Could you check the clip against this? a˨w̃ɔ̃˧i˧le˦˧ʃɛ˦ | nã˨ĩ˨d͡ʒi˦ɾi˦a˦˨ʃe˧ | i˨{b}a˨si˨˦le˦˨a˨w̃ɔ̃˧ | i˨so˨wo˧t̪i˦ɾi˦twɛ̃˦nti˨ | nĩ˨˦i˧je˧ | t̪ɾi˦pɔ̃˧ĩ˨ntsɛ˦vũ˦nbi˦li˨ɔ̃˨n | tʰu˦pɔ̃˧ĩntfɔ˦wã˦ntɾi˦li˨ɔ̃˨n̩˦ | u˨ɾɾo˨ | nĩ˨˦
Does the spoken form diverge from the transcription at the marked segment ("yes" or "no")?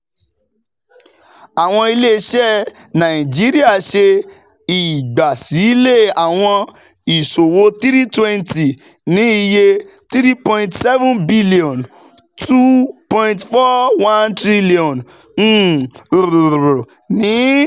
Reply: yes